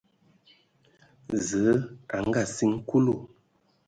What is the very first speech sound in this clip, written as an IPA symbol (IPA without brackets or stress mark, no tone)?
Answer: z